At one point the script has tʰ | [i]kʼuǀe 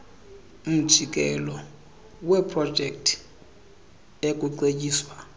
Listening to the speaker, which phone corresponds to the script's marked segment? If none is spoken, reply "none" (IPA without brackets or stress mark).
e